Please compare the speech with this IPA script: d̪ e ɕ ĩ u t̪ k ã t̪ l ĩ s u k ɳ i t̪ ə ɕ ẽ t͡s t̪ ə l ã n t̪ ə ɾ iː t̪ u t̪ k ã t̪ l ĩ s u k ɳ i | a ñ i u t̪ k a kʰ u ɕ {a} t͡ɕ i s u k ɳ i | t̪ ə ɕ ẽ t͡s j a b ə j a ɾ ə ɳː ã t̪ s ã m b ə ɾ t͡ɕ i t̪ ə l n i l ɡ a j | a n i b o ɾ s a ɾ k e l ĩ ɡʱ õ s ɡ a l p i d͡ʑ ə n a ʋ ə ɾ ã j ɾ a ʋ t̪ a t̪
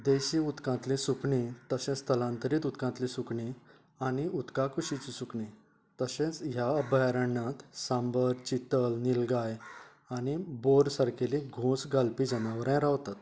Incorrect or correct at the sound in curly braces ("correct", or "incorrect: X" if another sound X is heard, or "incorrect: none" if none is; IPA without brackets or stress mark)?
incorrect: i